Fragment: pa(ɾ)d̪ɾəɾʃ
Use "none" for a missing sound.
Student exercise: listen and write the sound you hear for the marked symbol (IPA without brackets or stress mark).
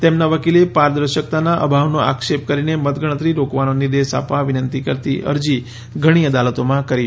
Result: ɾ